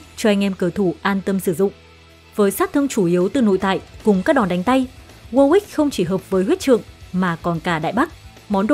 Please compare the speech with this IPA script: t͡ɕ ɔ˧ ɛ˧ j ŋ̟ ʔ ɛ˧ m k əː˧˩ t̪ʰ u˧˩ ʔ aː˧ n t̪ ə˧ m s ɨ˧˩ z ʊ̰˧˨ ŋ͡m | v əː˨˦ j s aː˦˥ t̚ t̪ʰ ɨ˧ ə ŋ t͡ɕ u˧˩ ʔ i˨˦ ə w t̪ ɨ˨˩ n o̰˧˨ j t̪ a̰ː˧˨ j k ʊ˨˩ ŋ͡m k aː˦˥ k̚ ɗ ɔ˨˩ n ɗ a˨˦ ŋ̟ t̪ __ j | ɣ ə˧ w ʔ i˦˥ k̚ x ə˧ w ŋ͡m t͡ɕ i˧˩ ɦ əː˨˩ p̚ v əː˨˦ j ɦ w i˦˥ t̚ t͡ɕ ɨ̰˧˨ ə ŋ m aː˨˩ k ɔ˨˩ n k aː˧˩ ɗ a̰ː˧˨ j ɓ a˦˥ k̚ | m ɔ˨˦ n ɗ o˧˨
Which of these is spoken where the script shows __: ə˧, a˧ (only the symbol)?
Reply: a˧